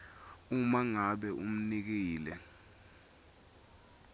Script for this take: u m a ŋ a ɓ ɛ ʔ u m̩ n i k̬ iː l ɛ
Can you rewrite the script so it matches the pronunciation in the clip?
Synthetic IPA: u m a ŋ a ɓ ɛ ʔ u m̩ n i k̬ iː l ɛ